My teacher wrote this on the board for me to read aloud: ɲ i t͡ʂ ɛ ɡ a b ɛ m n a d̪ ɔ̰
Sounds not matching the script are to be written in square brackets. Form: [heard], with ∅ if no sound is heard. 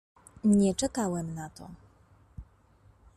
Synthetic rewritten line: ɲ [ɛ] t͡ʂ ɛ [k] a [w] ɛ m n a [t̪] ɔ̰